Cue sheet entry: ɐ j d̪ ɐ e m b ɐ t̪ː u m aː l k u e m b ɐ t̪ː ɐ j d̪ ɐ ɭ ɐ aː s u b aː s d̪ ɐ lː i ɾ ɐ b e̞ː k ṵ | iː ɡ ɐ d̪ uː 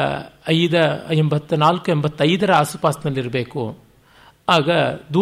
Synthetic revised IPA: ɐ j d̪ ɐ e m b ɐ t̪ː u n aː l k u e m b ɐ t̪ː ɐ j d̪ ɐ ɾ ɐ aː s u p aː s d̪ ɐ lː i ɾ ɐ b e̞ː k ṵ | aː ɡ ɐ d̪ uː